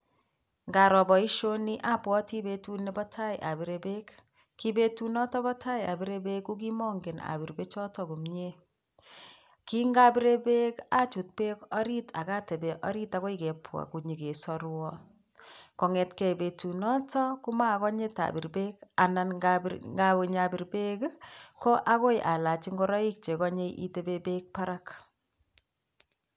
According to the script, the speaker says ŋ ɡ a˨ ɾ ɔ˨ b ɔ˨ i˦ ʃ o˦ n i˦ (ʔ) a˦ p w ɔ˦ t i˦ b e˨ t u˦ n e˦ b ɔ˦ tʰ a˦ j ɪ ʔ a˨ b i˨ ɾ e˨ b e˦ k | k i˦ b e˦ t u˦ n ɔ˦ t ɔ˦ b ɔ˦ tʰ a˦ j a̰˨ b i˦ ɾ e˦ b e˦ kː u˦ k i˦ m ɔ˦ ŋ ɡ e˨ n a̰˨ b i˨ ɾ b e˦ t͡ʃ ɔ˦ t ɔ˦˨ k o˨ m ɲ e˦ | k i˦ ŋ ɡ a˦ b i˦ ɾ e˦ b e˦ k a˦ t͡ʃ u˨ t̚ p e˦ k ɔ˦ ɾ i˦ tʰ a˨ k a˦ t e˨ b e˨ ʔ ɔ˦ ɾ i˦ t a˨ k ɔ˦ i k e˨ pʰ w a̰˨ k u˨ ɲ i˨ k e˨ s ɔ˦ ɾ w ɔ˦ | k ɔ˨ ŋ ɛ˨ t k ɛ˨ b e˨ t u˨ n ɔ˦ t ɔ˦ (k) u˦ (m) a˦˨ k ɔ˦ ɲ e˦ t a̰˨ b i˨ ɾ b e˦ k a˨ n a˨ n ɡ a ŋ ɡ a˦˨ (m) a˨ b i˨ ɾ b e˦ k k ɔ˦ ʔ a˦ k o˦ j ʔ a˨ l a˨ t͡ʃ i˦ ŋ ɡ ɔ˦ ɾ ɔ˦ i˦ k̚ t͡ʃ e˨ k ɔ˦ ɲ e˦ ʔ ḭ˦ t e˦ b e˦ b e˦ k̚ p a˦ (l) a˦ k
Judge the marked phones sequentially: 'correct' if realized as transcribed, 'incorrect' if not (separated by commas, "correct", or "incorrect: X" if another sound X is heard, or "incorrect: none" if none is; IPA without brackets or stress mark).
correct, correct, correct, incorrect: ɲ, incorrect: ɾ